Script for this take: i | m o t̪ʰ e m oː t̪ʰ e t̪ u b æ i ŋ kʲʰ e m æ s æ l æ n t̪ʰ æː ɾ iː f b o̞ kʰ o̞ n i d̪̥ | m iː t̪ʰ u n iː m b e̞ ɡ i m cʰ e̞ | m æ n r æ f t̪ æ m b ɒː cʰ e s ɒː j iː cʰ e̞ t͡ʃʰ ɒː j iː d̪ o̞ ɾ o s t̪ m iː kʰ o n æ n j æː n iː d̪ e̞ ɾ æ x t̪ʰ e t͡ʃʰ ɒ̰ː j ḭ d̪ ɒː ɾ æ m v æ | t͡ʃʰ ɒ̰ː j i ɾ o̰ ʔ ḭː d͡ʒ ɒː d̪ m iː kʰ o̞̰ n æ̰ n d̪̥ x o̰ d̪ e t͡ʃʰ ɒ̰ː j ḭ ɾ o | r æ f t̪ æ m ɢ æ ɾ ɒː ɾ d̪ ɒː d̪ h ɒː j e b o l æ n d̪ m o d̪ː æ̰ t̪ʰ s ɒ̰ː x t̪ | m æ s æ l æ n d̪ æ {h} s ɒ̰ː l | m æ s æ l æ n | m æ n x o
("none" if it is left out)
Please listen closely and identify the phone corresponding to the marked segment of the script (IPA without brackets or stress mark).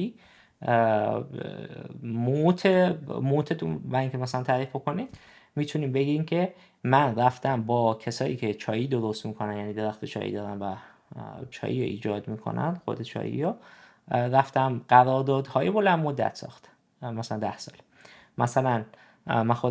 h